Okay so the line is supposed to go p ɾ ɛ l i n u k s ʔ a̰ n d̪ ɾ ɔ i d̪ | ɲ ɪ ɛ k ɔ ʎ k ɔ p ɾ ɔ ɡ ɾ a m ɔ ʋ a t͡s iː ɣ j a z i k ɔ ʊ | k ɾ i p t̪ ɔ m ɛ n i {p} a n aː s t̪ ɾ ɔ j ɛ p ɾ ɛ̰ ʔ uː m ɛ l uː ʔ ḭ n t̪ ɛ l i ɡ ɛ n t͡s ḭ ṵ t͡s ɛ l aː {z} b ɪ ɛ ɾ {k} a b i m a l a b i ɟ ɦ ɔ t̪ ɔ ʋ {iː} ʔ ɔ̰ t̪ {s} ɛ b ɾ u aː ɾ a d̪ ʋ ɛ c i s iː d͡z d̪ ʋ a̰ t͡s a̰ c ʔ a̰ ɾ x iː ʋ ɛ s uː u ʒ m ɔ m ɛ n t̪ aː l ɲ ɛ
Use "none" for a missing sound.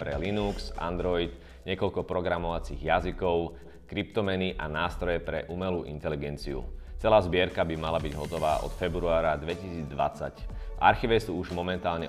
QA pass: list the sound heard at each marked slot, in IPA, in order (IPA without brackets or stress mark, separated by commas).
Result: ʔ, z, k, aː, f